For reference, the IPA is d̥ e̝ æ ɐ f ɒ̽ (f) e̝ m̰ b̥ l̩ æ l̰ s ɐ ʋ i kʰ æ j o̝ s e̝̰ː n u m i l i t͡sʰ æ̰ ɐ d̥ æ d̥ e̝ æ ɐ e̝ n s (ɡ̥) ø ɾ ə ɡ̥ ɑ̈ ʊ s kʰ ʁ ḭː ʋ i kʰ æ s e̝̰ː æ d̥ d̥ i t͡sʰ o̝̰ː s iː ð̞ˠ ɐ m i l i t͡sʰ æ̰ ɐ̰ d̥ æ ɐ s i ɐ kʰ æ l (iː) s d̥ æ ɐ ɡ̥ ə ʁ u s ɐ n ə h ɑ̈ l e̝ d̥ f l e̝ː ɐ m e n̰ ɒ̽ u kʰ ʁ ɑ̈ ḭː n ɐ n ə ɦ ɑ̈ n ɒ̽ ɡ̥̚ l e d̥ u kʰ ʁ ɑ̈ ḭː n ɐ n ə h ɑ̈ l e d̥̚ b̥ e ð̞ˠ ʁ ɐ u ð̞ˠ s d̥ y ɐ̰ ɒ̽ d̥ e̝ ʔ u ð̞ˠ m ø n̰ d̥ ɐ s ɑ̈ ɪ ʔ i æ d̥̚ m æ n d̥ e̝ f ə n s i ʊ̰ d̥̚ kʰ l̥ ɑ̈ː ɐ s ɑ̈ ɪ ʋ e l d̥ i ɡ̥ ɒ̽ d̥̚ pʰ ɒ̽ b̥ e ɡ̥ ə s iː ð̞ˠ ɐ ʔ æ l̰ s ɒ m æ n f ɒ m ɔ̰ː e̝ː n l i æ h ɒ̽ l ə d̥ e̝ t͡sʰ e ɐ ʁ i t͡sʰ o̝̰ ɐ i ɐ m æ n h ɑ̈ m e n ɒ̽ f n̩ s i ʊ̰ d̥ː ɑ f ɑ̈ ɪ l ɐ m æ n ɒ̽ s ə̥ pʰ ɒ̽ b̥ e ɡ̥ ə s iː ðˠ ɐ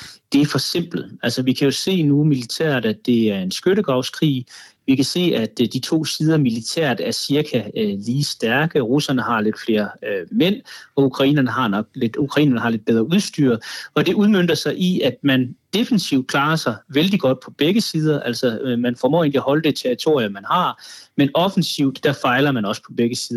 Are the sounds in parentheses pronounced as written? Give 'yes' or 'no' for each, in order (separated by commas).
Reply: no, yes, yes